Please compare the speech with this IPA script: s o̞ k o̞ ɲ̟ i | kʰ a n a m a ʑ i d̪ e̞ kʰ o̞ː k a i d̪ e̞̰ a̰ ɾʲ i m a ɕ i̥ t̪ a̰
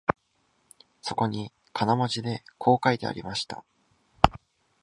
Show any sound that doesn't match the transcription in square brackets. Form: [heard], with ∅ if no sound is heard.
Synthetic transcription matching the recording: s o̞ k o̞ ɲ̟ i | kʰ a n a m a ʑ i d̪ e̞ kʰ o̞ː k a i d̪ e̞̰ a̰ ɾʲ i m a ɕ i̥ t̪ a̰